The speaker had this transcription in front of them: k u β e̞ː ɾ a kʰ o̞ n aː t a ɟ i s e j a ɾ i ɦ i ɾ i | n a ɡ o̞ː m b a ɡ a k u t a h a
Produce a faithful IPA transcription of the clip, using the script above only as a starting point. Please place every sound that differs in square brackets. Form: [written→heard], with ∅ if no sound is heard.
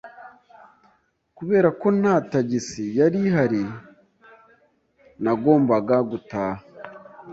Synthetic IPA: k u β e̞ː ɾ a [kʰ→k] o̞ n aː t a ɟ i s [e→i] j a ɾ i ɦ [i→a] ɾ i | n a ɡ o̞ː m b a ɡ a [k→ɡ] u t a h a